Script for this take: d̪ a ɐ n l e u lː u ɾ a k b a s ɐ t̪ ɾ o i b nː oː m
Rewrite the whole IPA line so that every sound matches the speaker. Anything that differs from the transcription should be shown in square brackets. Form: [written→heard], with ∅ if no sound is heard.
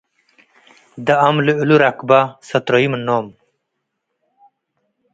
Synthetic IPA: d̪ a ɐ [n→m] l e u [lː→l] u ɾ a k b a s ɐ t̪ ɾ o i [b→m] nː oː m